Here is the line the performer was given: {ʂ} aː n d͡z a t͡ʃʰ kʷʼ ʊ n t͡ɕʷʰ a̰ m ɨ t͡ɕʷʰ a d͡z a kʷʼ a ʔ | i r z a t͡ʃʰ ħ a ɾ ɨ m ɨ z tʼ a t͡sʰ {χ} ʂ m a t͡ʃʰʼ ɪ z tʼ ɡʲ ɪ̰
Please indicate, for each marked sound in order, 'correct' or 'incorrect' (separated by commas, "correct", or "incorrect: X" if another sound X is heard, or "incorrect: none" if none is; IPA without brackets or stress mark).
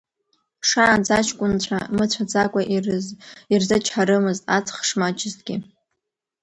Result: correct, correct